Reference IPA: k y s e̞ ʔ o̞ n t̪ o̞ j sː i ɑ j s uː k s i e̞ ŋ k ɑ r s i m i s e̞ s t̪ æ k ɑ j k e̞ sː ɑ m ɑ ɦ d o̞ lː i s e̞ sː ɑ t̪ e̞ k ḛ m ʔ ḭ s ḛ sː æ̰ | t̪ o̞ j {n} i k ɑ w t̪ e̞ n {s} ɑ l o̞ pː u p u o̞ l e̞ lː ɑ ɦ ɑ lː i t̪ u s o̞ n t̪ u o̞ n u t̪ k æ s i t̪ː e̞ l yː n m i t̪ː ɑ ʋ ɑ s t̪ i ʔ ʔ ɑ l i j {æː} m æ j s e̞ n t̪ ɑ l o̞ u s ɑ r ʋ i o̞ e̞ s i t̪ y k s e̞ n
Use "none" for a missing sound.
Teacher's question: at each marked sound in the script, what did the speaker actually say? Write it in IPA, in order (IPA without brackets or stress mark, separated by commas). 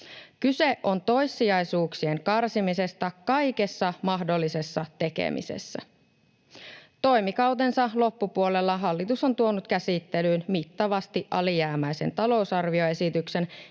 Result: m, s, æː